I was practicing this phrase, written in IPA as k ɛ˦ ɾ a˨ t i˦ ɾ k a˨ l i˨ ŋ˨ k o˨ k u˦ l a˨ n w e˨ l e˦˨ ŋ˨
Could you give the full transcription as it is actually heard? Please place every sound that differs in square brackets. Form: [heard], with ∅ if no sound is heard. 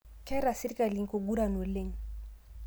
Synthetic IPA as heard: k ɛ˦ ɾ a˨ [s] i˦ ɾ k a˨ l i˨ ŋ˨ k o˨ [ɡ] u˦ [ɾ] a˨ n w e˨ l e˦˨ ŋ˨